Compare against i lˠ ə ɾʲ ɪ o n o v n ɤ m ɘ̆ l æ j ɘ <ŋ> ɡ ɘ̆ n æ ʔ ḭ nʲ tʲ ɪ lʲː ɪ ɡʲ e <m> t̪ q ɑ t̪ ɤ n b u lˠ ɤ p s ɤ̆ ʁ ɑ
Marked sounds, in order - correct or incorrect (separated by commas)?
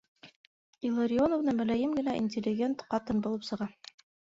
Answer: incorrect, incorrect